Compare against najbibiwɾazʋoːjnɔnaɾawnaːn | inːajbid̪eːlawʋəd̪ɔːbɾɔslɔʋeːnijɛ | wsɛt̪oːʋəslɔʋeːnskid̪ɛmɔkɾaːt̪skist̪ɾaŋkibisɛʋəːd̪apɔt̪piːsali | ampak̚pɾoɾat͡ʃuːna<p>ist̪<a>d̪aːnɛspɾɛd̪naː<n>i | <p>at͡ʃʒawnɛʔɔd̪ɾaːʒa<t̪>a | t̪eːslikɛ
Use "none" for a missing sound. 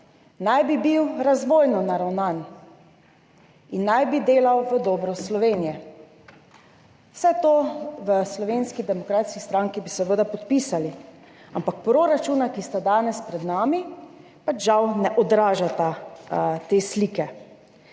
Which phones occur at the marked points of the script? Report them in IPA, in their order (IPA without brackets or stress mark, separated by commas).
k, a, m, p, t̪